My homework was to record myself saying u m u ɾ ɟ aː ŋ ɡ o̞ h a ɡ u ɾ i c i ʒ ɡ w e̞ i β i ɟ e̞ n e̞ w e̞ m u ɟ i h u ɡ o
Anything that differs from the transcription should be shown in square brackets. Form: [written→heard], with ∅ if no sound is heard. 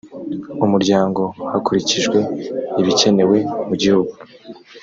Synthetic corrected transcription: u m u ɾ ɟ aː ŋ ɡ o̞ h a [ɡ→k] u ɾ i c i ʒ ɡ w e̞ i β i [ɟ→c] e̞ n e̞ w e̞ m u ɟ i h u ɡ [o→u]